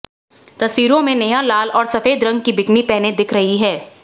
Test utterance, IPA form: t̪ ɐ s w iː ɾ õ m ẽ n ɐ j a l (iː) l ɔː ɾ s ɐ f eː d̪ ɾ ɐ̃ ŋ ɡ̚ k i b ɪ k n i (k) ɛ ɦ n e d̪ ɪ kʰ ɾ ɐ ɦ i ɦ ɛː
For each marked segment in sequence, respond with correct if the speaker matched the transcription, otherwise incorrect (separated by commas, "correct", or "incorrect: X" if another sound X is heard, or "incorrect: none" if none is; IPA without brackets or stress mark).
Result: incorrect: aː, incorrect: p